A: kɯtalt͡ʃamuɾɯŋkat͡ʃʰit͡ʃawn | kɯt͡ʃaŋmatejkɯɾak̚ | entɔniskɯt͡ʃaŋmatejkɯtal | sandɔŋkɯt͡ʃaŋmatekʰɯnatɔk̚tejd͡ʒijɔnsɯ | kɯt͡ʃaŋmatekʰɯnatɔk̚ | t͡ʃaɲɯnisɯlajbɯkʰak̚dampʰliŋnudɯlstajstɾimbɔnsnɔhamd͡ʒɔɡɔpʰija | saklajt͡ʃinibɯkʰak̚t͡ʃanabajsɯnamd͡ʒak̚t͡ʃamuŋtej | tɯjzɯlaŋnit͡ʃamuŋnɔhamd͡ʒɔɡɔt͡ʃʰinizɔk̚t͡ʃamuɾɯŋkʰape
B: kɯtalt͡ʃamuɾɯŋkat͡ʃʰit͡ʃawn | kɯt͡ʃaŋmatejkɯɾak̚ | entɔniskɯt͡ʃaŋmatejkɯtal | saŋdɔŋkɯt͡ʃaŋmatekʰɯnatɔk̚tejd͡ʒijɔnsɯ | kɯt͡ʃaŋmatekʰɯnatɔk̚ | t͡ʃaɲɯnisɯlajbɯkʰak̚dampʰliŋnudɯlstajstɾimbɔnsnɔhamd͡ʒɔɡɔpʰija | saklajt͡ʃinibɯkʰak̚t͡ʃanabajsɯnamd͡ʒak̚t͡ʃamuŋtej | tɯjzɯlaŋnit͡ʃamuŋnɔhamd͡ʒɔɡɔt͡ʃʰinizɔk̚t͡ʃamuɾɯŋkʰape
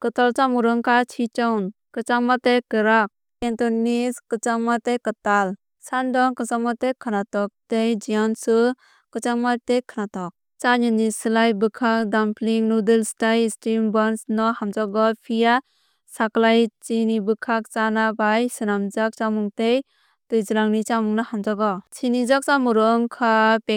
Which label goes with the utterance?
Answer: A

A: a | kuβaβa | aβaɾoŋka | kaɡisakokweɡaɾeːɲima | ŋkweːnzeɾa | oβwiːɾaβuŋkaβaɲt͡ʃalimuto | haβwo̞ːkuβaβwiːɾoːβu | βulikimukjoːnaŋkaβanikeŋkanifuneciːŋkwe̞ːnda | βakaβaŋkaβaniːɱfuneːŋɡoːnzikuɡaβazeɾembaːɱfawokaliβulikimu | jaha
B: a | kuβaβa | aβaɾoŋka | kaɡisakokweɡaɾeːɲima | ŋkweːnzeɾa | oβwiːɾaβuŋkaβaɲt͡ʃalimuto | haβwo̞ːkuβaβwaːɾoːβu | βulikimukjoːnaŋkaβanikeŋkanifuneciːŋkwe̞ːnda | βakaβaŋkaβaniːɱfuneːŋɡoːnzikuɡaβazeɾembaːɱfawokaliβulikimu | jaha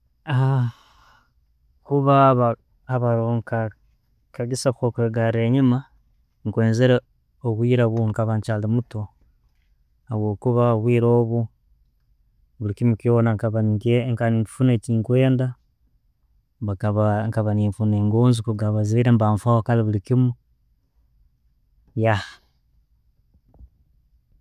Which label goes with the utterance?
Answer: A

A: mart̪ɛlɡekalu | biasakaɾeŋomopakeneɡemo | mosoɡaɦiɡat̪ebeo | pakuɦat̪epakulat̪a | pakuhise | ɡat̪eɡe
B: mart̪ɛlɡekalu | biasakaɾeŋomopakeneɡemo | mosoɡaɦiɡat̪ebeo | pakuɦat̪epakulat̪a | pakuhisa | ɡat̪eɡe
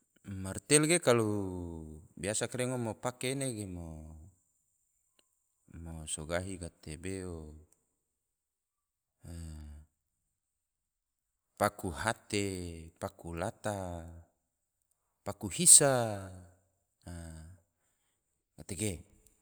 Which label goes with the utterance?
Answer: B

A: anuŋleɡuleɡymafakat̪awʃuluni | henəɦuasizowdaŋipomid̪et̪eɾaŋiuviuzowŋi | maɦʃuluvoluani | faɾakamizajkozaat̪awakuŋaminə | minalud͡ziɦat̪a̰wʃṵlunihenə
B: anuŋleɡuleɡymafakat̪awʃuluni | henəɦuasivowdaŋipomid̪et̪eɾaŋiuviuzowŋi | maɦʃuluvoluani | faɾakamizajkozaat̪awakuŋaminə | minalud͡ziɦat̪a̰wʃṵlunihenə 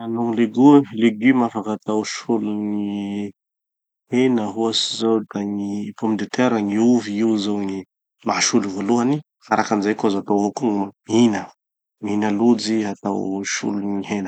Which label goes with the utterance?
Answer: A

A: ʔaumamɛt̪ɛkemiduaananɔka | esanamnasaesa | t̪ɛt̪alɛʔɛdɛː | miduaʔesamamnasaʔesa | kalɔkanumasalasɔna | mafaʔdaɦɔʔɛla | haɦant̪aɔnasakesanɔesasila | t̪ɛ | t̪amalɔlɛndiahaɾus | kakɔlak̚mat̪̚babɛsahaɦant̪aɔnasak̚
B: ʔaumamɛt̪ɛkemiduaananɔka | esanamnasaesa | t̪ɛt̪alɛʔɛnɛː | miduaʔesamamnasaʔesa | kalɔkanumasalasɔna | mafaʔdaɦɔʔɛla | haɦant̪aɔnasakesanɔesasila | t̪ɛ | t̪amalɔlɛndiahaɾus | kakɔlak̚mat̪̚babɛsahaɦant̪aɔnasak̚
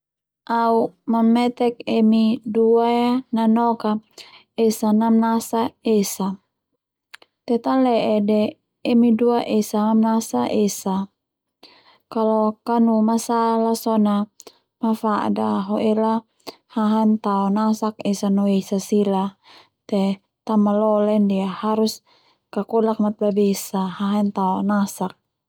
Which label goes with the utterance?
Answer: A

